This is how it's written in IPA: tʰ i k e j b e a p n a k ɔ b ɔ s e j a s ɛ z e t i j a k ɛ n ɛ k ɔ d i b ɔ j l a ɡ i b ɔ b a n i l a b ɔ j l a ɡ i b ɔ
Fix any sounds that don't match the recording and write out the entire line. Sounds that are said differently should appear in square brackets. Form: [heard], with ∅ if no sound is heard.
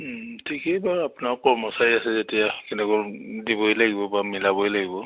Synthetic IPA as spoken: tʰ i k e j b [a] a p n a k ɔ [m] ɔ s [a] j a s ɛ z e t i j a k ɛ n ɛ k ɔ d i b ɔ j l a ɡ i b ɔ b a [m] i l a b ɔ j l a ɡ i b ɔ